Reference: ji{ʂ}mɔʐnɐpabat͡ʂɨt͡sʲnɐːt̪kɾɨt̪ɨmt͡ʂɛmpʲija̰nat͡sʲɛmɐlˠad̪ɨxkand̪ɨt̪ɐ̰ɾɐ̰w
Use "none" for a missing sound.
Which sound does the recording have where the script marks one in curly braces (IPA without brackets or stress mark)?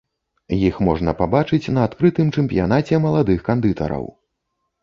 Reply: x